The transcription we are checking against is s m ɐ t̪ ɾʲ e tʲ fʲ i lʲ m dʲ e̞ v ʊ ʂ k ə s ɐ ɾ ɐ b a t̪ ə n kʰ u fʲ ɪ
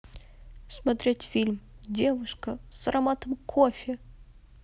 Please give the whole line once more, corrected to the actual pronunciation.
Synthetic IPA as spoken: s m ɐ t̪ ɾʲ e tʲ fʲ i lʲ m dʲ e̞ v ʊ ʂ k ə s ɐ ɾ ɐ m a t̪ ə m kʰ o fʲ ɪ